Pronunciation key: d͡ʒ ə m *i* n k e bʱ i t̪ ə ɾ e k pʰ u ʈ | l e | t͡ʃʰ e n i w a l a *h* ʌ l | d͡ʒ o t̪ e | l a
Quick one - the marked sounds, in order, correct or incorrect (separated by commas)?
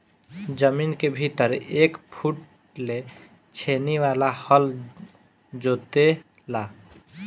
correct, correct